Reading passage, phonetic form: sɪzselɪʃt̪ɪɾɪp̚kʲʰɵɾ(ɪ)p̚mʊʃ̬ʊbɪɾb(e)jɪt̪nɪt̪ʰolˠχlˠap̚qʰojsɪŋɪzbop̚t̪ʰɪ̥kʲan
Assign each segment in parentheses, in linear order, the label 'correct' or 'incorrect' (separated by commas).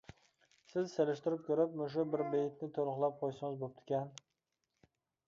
correct, correct